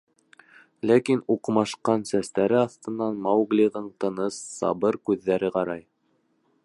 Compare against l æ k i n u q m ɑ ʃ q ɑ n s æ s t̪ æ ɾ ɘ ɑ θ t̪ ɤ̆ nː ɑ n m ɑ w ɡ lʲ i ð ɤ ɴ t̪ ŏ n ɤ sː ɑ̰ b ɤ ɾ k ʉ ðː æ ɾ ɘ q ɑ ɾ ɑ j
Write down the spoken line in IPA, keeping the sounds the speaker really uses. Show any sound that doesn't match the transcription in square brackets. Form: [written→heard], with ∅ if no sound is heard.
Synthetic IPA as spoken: l æ k i n u q m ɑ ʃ q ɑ n s æ s t̪ æ ɾ ɘ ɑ θ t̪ ɤ̆ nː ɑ n m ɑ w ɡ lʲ i [ð→ʁ] ɤ ɴ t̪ [ŏ→ɤ̆] n ɤ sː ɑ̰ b ɤ ɾ k ʉ ðː æ ɾ ɘ q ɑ ɾ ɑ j

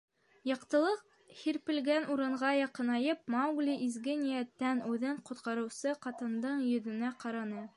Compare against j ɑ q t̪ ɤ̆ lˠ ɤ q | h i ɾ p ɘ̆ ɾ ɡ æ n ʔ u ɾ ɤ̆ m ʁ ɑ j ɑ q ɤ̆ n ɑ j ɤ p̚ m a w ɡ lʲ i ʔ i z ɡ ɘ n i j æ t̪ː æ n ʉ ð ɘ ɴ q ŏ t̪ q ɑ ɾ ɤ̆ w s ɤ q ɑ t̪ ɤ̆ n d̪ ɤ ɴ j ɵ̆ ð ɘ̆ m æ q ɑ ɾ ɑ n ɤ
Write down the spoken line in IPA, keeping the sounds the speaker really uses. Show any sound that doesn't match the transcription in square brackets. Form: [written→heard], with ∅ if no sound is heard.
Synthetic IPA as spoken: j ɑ q t̪ ɤ̆ lˠ ɤ q | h i ɾ p ɘ̆ [ɾ→l] ɡ æ n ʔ u ɾ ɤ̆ [m→ɴ] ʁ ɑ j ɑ q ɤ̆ n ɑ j ɤ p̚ m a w ɡ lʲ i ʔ i z ɡ ɘ n i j æ t̪ː æ n ʉ ð ɘ ɴ q ŏ t̪ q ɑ ɾ ɤ̆ w s ɤ q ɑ t̪ ɤ̆ n d̪ ɤ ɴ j ɵ̆ ð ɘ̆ [m→n] æ q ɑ ɾ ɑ n ɤ

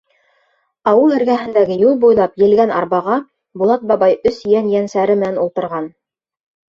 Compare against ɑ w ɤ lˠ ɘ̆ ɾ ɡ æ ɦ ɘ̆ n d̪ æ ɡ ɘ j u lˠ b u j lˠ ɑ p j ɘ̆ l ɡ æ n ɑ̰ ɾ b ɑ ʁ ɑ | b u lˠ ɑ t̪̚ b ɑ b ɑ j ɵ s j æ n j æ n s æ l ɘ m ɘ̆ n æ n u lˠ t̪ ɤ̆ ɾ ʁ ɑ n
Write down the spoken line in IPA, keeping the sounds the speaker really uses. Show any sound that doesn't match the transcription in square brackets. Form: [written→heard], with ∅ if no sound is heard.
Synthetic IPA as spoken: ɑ w ɤ lˠ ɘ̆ ɾ ɡ æ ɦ ɘ̆ n d̪ æ ɡ ɘ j u lˠ b u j lˠ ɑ p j ɘ̆ l ɡ æ n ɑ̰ ɾ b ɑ ʁ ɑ | b u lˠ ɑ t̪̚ b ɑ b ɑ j ɵ s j æ n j æ n s æ [l→ɾ] ɘ m ɘ̆ n æ n u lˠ t̪ ɤ̆ ɾ ʁ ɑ n

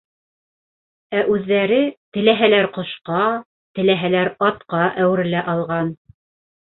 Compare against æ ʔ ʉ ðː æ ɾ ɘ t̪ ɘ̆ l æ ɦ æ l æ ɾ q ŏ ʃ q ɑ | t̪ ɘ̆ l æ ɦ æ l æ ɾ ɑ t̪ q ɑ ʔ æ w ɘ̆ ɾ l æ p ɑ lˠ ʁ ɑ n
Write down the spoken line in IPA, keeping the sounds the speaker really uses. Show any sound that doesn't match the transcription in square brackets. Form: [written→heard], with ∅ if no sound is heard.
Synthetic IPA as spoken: æ ʔ ʉ ðː æ ɾ ɘ t̪ ɘ̆ l æ ɦ æ l æ ɾ q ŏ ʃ q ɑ | t̪ ɘ̆ l æ ɦ æ l æ ɾ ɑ t̪ q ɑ ʔ æ w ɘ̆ ɾ l æ [p→ʔ] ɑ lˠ ʁ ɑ n

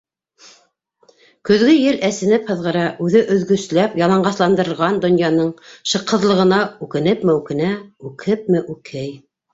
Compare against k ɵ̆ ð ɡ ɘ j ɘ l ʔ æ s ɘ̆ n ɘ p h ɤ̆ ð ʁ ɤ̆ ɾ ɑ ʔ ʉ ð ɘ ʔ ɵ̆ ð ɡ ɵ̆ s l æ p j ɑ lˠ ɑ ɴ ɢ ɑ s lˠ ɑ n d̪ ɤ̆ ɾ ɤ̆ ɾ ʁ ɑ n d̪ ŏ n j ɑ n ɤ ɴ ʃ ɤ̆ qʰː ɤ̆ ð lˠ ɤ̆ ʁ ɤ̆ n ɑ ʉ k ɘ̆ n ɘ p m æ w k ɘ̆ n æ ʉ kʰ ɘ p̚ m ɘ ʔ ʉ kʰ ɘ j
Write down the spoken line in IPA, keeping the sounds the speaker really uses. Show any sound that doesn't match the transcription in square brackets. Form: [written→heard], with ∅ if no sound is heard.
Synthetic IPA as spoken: k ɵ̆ ð ɡ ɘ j ɘ l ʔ æ s ɘ̆ n ɘ p h ɤ̆ ð ʁ ɤ̆ ɾ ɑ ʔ ʉ ð ɘ ʔ ɵ̆ ð ɡ ɵ̆ s l æ p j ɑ lˠ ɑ ɴ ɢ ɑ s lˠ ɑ n d̪ ɤ̆ ɾ ɤ̆ ɾ ʁ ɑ n d̪ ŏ n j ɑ n ɤ ɴ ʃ ɤ̆ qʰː ɤ̆ ð lˠ ɤ̆ ʁ ɤ̆ n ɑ ʉ k ɘ̆ n ɘ p m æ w k ɘ̆ n æ ʉ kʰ ɘ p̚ m ɘ ʔ ʉ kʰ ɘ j

